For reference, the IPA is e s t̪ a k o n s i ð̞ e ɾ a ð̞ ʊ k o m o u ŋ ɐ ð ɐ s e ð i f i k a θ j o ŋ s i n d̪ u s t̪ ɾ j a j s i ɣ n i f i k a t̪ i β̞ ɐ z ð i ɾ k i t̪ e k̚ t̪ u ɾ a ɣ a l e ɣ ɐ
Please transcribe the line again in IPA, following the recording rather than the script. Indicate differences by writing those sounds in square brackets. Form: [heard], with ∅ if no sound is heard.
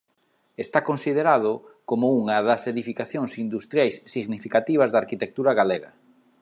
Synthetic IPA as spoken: e s t̪ a k o n s i ð̞ e ɾ a ð̞ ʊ k o m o u ŋ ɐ ð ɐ s e ð i f i k a θ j o ŋ s i n d̪ u s t̪ ɾ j a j [sː] i ɣ n i f i k a t̪ i β̞ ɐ z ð [a] ɾ k i t̪ e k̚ t̪ u ɾ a ɣ a l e ɣ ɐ